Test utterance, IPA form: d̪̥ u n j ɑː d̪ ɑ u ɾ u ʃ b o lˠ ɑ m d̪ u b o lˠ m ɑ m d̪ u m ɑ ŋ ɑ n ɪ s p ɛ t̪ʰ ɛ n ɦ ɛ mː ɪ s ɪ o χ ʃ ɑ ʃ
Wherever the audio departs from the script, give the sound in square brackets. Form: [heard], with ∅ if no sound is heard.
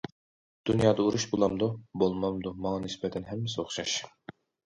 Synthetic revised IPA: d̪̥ u n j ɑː d̪ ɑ u ɾ u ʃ b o lˠ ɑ m d̪ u b o lˠ m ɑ m d̪ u m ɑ ŋ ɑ n ɪ s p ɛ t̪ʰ ɛ n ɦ ɛ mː ɪ s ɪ o χ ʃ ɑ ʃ